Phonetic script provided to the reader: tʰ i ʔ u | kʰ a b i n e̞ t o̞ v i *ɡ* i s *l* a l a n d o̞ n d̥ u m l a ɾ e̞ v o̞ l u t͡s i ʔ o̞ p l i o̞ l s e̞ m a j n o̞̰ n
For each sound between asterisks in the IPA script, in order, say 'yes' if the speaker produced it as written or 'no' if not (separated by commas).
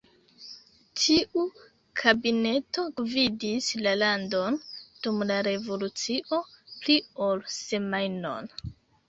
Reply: no, yes